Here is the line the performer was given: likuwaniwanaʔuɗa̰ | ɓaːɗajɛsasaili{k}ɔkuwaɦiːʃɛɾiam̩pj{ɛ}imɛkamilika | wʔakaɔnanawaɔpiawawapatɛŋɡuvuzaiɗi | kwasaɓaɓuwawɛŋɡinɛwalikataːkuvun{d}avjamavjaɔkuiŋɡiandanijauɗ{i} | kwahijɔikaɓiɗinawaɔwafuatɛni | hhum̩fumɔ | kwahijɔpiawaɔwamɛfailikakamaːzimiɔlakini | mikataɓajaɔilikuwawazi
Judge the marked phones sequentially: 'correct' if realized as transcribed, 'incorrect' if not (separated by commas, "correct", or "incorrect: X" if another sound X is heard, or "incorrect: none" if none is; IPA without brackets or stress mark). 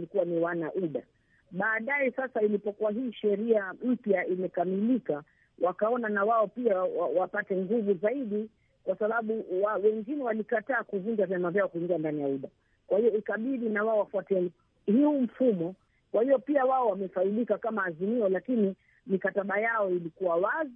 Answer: incorrect: p, incorrect: a, incorrect: d͡ʒ, incorrect: a